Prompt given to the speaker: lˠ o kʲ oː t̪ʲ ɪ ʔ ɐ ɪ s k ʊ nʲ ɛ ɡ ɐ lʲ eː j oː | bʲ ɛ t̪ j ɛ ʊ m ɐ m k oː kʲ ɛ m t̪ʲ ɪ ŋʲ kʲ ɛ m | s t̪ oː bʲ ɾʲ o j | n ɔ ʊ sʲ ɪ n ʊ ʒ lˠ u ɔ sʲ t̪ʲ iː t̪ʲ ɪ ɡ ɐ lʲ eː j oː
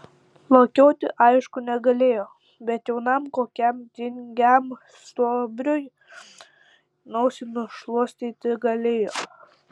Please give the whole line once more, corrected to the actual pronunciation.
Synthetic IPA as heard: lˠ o kʲ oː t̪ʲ ɪ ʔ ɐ ɪ ʃ k ʊ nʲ ɛ ɡ ɐ lʲ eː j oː | bʲ ɛ t̪ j ɛ ʊ n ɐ m k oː kʲ ɛ m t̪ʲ ɪ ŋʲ ɡʲ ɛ m | s t̪ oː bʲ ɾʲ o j | n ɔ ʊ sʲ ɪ n ʊ ʃ lˠ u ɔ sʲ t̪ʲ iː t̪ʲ ɪ ɡ ɐ lʲ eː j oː